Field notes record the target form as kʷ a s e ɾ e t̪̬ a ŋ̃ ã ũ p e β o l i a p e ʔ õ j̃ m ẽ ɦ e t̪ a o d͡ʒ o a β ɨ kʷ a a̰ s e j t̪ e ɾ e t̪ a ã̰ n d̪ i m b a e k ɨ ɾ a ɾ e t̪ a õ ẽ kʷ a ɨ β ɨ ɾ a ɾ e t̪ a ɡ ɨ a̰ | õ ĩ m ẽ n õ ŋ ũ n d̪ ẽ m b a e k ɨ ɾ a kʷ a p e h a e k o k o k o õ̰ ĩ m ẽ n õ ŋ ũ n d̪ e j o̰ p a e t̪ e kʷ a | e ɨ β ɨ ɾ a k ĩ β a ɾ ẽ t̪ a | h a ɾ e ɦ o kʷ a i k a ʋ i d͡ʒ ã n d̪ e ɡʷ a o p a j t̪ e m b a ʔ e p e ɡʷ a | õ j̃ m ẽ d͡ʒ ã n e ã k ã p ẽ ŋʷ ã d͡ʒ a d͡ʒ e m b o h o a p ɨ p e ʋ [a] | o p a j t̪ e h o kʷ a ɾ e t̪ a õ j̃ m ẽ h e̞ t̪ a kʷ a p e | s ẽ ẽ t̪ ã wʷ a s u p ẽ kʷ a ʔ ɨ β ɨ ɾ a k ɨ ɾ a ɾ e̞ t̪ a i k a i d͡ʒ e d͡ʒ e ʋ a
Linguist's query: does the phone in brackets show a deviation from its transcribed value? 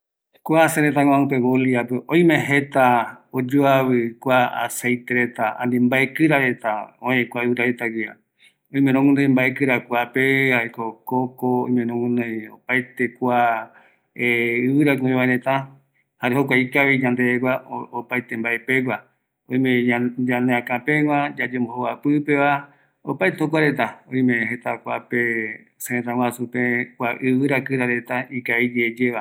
no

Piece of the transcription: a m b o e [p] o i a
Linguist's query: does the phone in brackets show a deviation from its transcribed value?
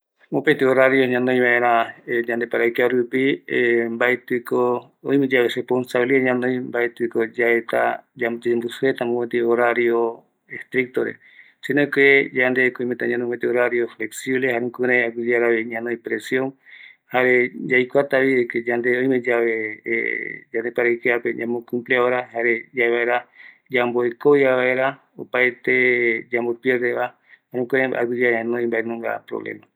yes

